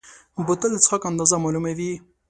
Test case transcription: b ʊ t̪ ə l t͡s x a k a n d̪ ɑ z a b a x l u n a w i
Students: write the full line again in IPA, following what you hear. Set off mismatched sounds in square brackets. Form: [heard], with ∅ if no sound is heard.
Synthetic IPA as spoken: b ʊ t̪ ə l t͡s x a k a n d̪ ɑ z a [m] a [∅] l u [m] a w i

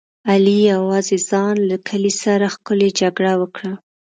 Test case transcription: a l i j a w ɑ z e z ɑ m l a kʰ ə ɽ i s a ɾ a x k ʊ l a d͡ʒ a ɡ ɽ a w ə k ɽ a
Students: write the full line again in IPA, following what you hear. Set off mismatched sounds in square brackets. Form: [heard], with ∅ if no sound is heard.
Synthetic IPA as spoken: a l i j a w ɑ z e z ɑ [n] l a kʰ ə [l] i s a ɾ a x k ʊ l [e] d͡ʒ a ɡ ɽ a w ə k ɽ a

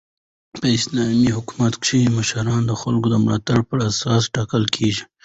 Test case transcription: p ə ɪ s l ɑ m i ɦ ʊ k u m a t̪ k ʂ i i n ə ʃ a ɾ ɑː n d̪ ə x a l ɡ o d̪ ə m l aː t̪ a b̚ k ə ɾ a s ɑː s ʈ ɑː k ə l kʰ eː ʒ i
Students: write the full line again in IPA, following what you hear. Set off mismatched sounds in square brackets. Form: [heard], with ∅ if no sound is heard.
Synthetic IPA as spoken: p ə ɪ s l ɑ m i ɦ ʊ k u m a t̪ k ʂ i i [m] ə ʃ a ɾ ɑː n d̪ ə x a l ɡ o d̪ ə m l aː t̪ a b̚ [p] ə ɾ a s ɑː s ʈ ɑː k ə l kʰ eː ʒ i

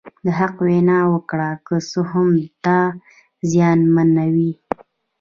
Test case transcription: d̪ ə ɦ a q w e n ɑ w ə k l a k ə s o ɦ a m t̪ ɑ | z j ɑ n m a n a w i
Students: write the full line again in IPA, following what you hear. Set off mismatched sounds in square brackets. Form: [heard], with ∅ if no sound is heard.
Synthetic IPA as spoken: d̪ ə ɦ a q w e n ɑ w ə k [ɽ] a k ə s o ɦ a m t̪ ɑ | z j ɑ n m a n a w i

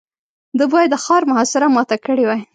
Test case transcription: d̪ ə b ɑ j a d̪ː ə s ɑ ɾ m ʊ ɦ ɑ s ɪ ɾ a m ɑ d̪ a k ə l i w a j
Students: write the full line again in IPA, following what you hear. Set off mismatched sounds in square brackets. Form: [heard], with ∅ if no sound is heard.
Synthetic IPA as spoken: d̪ ə b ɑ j a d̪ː ə [x] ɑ ɾ m ʊ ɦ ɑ s ɪ ɾ a m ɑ [t̪] a k ə [ɽ] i w a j

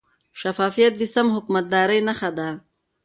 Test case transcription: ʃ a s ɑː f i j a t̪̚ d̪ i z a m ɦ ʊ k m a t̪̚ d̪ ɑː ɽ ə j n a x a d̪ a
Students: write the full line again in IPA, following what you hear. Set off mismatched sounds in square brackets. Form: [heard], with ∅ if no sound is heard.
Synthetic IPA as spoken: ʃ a [f] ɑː f i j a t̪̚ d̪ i [s] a m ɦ ʊ k m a t̪̚ d̪ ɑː [ɾ] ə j n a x a d̪ a

